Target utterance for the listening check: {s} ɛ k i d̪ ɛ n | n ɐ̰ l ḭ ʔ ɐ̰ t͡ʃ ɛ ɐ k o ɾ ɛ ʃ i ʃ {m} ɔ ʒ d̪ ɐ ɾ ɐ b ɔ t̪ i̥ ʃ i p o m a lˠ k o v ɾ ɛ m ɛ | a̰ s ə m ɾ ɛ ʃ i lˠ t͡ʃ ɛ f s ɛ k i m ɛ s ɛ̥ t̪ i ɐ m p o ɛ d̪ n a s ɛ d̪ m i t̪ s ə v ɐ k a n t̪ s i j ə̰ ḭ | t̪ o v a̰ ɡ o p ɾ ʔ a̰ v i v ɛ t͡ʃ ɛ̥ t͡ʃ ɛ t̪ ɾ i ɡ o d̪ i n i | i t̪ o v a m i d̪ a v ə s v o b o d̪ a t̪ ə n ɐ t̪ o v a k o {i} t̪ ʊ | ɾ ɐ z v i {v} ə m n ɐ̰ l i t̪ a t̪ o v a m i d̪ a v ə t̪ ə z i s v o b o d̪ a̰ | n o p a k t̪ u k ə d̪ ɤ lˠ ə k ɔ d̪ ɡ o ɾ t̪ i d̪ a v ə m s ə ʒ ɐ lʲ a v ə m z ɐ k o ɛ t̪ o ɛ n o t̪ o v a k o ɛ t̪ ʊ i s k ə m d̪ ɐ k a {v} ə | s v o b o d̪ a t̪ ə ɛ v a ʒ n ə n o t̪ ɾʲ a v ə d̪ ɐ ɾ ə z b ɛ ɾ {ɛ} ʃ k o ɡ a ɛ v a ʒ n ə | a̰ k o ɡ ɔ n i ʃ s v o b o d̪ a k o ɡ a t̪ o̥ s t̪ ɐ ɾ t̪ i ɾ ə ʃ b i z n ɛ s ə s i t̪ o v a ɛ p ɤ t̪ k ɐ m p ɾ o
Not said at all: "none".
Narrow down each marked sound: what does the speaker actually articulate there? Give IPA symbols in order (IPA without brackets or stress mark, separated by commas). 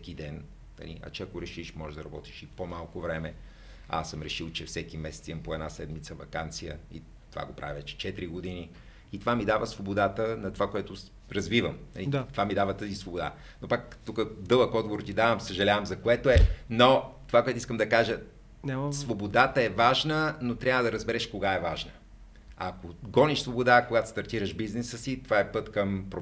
s, m, ɛ, v, ʒ, ɛ